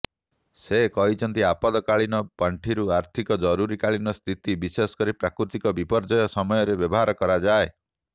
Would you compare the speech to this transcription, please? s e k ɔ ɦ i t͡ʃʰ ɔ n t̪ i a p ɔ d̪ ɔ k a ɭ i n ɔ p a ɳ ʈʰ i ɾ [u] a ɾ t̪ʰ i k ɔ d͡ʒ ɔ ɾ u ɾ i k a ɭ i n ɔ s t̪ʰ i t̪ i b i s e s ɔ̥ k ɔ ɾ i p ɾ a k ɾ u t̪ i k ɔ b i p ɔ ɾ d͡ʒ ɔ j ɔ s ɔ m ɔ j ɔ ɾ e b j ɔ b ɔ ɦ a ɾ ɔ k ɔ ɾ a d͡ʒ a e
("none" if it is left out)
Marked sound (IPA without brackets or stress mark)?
u